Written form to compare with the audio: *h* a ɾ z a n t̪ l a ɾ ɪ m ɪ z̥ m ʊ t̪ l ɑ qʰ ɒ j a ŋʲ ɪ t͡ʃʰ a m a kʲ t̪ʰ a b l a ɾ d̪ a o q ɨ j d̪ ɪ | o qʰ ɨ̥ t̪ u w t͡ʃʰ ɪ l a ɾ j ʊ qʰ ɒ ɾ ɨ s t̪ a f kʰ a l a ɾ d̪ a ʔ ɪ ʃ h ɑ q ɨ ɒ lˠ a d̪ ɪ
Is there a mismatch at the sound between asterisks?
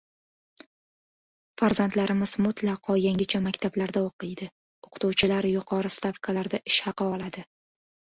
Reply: yes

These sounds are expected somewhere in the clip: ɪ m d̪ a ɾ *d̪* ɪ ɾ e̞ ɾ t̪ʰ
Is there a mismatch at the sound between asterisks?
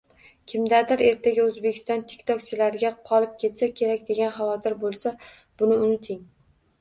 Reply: no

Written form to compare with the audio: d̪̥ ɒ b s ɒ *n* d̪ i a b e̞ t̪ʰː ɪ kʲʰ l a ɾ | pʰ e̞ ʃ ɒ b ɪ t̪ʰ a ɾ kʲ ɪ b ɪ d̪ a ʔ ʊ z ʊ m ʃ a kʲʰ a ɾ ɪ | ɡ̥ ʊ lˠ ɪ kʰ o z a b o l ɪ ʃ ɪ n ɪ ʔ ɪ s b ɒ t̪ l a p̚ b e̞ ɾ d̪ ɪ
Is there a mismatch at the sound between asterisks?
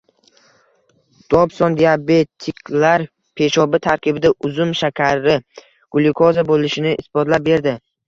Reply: no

